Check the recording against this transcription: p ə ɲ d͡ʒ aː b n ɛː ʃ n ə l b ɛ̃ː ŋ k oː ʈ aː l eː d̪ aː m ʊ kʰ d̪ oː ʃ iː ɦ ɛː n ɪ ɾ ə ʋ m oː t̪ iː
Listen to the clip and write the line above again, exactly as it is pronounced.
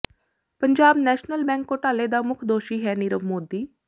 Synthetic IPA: p ə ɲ d͡ʒ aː b n ɛː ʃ n ə l b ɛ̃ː ŋ k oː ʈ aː l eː d̪ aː m ʊ kʰ d̪ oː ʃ iː ɦ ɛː n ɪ ɾ ə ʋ m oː d̪ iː